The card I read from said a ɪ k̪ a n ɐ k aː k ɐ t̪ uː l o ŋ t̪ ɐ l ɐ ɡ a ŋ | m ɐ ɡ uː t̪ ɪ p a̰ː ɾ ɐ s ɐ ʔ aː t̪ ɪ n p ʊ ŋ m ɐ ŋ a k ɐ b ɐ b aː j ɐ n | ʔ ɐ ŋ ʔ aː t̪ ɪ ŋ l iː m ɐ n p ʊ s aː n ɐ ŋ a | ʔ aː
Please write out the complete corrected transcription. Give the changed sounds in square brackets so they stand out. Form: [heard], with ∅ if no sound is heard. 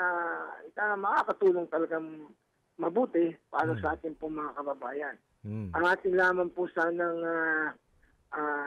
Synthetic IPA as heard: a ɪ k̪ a [m] ɐ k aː k ɐ t̪ uː l o ŋ t̪ ɐ l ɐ ɡ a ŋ | m ɐ [b] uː t̪ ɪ p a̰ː ɾ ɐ s ɐ ʔ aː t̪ ɪ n p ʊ ŋ m ɐ ŋ a k ɐ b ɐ b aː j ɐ n | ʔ ɐ ŋ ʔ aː t̪ ɪ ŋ l [aː] m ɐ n p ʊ s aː n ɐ ŋ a | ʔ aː